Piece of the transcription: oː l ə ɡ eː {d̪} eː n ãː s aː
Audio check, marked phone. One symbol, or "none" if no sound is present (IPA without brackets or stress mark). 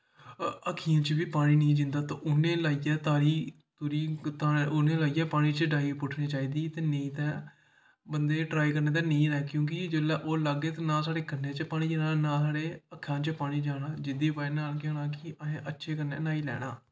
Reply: t̪